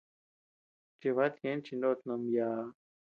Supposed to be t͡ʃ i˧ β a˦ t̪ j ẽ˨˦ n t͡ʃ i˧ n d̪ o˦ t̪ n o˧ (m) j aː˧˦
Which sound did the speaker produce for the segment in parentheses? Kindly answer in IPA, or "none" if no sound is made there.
m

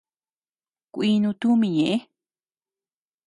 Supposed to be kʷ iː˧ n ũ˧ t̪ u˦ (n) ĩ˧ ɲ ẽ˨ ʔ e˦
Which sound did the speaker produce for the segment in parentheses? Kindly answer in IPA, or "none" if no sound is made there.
m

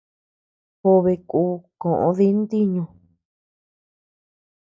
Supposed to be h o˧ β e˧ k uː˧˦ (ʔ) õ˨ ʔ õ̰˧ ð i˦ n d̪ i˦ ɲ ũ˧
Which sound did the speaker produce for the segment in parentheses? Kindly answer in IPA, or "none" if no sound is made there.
k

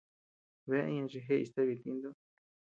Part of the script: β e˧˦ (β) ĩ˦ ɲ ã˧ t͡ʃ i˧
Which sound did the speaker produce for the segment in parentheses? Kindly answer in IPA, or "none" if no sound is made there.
none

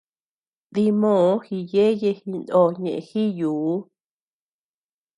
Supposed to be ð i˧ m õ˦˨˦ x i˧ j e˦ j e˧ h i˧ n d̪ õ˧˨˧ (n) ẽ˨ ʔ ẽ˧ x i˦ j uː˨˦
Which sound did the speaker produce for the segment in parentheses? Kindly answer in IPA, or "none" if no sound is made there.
ɲ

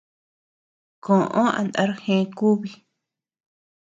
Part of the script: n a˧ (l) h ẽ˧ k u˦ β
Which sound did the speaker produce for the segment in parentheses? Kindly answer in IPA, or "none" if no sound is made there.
ɾ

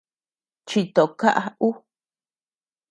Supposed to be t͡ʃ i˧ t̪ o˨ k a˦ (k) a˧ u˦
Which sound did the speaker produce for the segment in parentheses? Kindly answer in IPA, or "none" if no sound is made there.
ʔ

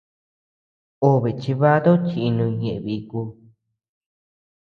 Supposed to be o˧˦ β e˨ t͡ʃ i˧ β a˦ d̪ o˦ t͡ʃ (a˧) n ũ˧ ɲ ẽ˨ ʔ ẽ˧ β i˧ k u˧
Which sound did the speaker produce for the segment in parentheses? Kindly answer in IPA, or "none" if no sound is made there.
i˧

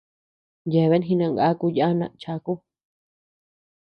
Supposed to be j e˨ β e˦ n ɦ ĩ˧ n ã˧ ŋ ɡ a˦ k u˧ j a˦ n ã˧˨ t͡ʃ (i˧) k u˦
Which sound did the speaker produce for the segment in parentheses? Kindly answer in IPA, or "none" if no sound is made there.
a˧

